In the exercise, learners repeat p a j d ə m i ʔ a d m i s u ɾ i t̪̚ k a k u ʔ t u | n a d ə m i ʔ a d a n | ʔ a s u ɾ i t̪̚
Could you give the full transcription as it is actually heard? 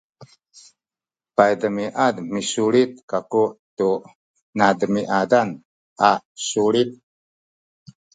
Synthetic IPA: p a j d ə m i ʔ a d m i s u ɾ i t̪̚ k a k u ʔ t u | n a d ə m i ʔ a d a n | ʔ a s u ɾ i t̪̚